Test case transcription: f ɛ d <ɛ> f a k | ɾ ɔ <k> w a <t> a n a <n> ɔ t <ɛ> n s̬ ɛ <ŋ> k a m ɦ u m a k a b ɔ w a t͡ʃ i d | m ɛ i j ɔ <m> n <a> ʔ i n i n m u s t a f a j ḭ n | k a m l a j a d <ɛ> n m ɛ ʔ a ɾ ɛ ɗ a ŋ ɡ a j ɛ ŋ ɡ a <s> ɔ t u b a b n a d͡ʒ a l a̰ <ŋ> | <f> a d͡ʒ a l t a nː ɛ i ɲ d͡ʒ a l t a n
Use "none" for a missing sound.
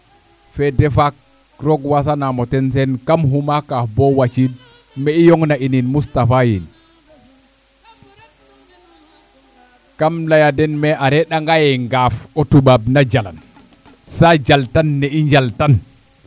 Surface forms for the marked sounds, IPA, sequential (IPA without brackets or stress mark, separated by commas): ɛ, ɡ, s, m, ɛ, n, ŋ, a, ɛ, f, n, s